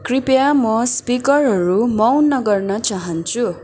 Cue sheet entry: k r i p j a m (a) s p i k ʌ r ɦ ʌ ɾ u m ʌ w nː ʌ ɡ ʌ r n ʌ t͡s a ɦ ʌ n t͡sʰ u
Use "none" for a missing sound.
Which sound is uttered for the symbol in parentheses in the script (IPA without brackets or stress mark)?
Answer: ʌ